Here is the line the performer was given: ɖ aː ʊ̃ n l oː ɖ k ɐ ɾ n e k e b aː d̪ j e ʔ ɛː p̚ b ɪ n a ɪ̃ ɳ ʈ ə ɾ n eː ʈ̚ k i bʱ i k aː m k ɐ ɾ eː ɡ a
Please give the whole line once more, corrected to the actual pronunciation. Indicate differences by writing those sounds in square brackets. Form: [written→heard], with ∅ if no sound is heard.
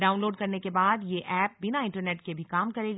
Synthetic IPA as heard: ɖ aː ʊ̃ n l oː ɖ k ɐ ɾ n e k e b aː d̪ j e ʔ ɛː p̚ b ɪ n a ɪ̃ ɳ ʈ ə ɾ n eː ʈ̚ k [i→e] bʱ i k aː m k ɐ ɾ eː ɡ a